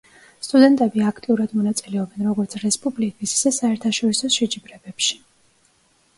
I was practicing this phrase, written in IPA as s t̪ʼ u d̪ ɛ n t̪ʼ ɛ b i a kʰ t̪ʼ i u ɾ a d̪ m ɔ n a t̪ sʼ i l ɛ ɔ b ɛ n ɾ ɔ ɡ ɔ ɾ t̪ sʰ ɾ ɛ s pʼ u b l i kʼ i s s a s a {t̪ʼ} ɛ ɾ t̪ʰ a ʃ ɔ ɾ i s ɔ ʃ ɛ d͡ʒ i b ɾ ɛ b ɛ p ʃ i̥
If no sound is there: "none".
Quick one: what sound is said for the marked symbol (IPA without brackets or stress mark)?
none